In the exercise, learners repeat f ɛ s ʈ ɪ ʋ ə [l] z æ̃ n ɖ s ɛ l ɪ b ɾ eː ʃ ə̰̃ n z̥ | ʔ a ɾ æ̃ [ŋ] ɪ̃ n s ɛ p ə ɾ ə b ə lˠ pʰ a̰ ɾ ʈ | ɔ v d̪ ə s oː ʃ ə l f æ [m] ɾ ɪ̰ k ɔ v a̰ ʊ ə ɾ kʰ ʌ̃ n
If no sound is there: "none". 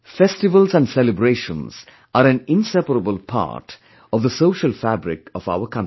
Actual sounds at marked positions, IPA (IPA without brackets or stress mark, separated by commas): l, n, b